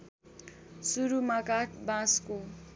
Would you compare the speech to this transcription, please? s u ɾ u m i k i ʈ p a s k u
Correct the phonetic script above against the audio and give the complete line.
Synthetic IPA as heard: s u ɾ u m a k a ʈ b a s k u